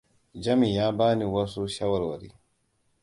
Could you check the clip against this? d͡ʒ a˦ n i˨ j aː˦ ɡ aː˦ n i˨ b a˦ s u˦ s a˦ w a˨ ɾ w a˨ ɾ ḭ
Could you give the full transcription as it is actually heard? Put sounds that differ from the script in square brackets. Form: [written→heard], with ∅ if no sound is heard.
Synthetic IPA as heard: d͡ʒ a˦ [n→m] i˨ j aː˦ [ɡ→b] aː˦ n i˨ [b→w] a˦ s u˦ [s→ʃ] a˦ w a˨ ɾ w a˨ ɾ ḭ